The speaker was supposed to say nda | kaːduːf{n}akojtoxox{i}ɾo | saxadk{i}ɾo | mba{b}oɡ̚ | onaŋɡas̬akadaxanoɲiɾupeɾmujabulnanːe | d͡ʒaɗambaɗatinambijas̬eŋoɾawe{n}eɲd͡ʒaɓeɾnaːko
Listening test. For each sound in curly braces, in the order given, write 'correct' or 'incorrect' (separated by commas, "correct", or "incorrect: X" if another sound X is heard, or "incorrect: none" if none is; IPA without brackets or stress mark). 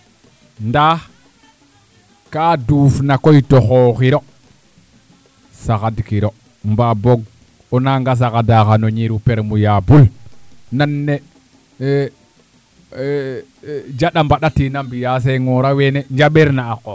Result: correct, correct, correct, correct, correct